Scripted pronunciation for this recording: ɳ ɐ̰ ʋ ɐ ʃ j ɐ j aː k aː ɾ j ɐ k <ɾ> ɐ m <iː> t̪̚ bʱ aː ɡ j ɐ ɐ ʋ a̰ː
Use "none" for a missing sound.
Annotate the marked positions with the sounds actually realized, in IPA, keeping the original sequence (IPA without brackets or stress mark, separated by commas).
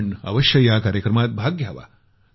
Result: ɾ, aː